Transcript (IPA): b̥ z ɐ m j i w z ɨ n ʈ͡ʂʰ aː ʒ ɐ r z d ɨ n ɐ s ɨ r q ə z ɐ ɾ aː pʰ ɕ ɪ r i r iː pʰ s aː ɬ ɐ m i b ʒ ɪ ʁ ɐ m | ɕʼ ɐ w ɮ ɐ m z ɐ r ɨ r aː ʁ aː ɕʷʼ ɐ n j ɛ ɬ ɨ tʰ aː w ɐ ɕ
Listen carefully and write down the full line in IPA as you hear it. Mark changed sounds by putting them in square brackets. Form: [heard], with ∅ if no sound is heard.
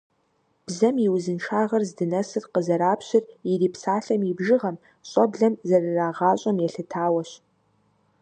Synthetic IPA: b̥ z ɐ m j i w z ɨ n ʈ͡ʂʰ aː [ʁ] ɐ r z d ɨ n ɐ s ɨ r q ə z ɐ ɾ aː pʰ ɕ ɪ r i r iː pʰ s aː ɬ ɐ m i b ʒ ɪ ʁ ɐ m | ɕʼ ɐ [b] ɮ ɐ m z ɐ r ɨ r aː ʁ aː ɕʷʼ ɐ [m] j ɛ ɬ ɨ tʰ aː w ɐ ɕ